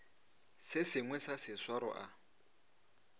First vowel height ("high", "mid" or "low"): high